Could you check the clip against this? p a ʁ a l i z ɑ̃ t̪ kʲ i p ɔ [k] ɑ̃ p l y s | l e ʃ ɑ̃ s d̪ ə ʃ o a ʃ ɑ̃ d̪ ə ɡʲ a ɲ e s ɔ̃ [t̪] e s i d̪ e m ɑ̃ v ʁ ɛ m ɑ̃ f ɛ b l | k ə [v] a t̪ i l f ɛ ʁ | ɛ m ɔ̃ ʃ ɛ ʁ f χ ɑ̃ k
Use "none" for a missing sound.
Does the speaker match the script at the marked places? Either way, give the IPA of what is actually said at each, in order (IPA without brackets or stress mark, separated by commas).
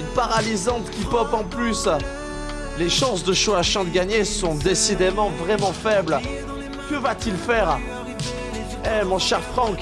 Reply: p, d̪, v